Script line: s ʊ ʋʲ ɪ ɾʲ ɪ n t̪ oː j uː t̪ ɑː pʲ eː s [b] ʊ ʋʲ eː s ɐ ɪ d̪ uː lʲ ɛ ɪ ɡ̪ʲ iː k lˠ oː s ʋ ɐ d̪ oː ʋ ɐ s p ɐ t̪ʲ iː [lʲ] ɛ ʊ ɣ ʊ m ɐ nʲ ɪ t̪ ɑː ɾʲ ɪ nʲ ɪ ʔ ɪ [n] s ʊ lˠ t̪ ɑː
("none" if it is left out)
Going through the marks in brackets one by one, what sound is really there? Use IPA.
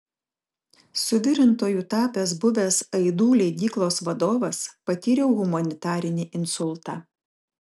b, ɾʲ, n

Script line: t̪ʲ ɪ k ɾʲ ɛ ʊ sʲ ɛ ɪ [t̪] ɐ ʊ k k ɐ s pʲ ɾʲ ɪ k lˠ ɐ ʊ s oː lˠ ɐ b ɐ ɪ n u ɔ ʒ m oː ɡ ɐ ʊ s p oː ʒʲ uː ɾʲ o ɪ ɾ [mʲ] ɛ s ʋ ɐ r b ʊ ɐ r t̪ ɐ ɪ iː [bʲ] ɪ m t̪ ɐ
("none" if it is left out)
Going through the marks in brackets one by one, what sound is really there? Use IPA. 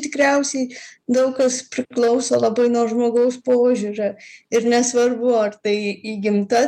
d̪, nʲ, ɡʲ

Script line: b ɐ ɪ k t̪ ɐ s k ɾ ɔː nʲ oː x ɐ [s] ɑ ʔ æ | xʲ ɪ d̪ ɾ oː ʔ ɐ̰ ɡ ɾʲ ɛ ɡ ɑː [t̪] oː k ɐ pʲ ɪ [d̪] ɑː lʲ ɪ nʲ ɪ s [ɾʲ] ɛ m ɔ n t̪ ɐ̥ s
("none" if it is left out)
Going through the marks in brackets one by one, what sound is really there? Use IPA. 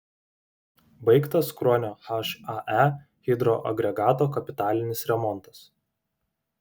ʃ, t̪, t̪, ɾʲ

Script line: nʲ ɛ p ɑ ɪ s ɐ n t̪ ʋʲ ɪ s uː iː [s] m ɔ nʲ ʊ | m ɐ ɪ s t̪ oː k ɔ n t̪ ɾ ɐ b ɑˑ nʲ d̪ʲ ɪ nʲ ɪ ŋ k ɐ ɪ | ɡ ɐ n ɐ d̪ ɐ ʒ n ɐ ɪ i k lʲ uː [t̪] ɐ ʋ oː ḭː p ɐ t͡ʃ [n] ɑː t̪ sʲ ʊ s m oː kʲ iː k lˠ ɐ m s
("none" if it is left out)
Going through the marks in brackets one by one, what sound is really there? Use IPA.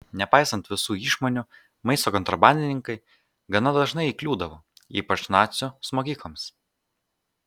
ʃ, d̪, n

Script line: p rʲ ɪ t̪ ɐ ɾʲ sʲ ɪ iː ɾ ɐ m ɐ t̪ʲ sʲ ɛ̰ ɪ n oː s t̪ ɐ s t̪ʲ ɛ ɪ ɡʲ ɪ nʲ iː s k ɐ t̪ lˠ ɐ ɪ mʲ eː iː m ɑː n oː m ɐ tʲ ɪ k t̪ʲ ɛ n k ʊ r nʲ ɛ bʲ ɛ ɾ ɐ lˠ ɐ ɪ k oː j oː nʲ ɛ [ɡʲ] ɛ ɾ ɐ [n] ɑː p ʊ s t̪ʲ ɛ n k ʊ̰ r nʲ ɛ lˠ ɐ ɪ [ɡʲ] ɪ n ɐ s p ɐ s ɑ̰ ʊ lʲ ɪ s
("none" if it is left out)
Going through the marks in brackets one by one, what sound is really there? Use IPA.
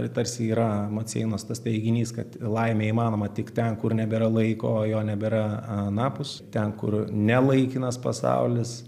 bʲ, n, kʲ

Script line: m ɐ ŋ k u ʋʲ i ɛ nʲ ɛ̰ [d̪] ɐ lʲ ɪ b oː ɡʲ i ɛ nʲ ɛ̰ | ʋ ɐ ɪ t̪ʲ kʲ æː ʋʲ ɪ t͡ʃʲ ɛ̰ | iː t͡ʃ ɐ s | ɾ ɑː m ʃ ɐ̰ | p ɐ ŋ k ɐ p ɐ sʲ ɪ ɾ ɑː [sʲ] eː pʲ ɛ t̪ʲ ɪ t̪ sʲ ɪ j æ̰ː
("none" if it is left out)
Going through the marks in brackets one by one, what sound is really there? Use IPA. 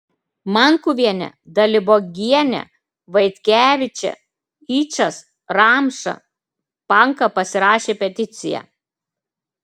d̪, ʃʲ

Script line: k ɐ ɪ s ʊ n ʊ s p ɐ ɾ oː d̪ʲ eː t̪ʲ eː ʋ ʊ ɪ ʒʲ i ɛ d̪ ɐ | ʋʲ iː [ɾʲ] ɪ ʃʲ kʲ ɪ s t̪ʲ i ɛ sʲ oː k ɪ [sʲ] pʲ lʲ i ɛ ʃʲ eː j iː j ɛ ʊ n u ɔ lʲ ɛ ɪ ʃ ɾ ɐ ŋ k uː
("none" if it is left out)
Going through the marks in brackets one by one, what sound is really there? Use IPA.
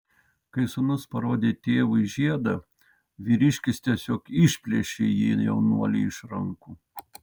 ɾʲ, ʃʲ

